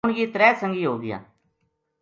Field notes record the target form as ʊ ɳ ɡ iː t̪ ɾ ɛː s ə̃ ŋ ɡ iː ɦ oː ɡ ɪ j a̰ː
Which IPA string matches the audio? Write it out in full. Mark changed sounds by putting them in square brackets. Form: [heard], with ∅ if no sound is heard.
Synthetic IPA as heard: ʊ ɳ ɡ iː t̪ ɾ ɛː s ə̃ ŋ ɡ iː ɦ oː ɡ ɪ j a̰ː